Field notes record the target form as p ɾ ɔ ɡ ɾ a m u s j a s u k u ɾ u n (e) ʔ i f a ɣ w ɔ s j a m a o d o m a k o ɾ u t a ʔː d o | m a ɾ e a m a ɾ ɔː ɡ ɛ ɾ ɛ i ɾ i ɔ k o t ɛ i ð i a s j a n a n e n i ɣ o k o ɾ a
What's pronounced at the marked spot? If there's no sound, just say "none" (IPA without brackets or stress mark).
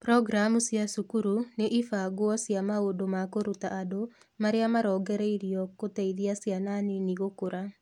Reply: e